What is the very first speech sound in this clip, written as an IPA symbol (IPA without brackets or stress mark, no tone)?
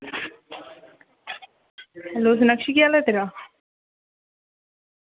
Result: l